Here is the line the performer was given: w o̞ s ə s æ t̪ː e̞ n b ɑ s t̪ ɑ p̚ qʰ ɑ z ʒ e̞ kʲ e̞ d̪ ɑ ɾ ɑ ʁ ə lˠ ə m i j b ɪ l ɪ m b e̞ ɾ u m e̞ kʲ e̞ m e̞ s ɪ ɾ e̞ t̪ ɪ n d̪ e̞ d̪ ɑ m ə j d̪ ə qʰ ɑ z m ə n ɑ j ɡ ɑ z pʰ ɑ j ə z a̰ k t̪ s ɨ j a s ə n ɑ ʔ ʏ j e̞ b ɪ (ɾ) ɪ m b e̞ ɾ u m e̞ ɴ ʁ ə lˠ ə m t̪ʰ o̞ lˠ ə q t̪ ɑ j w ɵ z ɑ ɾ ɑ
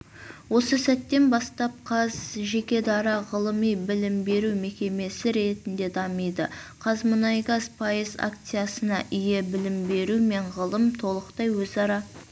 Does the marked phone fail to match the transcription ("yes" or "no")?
yes